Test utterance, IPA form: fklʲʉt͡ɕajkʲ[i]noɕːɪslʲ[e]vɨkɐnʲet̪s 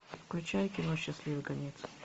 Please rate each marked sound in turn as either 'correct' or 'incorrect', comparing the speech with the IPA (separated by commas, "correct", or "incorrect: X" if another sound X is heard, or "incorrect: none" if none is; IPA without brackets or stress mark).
incorrect: ɪ, incorrect: i